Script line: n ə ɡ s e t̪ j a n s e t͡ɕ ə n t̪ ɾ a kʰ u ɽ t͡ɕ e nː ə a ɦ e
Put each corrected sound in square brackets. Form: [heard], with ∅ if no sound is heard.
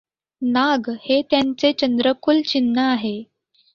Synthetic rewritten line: n [a] ɡ [h] e t̪ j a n [t͡s] e t͡ɕ ə n [d̪] ɾ [ə] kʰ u [l] t͡ɕ [i] nː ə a ɦ e